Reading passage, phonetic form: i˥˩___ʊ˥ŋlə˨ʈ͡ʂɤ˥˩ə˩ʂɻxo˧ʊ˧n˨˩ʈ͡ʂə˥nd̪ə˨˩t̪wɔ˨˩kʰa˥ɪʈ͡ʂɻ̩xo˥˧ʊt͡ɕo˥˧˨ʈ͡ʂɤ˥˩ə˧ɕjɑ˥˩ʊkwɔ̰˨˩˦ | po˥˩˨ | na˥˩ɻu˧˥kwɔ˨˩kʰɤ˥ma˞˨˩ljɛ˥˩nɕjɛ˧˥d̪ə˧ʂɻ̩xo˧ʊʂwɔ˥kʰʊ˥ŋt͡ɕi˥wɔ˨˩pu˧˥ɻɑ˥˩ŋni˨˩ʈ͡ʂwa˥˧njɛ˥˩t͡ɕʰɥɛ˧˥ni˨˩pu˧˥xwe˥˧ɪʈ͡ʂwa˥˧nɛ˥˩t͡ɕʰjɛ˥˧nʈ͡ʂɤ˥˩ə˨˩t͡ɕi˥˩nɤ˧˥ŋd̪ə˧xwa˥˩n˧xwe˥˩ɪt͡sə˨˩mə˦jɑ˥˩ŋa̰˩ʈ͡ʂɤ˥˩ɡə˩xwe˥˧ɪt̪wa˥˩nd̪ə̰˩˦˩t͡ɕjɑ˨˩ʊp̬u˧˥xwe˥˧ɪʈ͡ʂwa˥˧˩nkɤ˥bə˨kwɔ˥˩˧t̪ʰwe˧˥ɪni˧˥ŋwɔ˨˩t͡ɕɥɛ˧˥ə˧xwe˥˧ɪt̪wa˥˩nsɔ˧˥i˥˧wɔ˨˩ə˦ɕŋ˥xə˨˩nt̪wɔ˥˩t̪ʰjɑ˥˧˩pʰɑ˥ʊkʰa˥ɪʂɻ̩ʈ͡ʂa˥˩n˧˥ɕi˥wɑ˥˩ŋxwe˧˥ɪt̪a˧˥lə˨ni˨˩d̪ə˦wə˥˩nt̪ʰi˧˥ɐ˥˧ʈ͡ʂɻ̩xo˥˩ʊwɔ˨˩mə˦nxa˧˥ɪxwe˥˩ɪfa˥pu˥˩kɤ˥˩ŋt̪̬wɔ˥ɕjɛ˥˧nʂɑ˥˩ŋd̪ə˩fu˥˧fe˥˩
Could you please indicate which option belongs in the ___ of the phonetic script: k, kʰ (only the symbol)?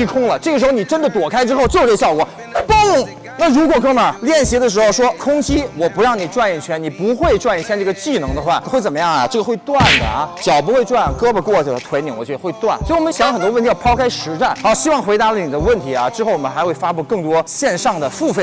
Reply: kʰ